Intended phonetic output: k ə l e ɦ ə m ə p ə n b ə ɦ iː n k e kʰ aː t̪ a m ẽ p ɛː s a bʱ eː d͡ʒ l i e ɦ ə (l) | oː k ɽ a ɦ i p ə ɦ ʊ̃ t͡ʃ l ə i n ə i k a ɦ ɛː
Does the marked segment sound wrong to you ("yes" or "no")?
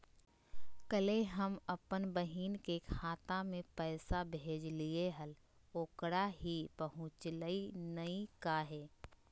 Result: no